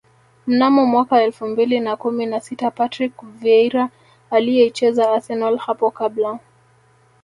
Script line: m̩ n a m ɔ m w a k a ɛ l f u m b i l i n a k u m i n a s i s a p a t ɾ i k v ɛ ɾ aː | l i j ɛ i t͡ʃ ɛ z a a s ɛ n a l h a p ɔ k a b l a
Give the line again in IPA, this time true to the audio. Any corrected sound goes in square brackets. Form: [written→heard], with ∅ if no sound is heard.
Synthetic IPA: m̩ n a m ɔ m w a k a ɛ l f u m b i l i n a k u m i n a s i [s→t] a p a t ɾ i k v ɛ ɾ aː | l i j ɛ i t͡ʃ ɛ z a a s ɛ n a l h a p ɔ k a b l a